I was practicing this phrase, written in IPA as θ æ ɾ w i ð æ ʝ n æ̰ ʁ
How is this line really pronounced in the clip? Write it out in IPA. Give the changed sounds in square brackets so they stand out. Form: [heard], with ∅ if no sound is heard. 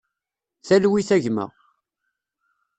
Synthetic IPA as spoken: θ æ [l] w i [θ] æ ʝ [m] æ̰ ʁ